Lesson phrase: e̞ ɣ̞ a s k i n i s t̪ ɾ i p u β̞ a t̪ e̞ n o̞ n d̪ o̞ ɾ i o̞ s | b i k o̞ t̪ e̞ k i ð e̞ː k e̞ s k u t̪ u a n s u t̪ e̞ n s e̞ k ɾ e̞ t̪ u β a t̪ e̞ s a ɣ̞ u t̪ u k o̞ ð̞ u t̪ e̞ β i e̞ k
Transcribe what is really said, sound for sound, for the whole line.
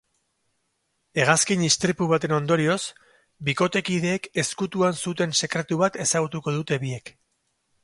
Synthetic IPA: e̞ ɣ̞ a s k i n i s t̪ ɾ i p u β̞ a t̪ e̞ n o̞ n d̪ o̞ ɾ i o̞ s | b i k o̞ t̪ e̞ k i ð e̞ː k e̞ s k u t̪ u a n s u t̪ e̞ n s e̞ k ɾ e̞ t̪ u β a t̪ e̞ s a ɣ̞ u t̪ u k o̞ ð̞ u t̪ e̞ β i e̞ k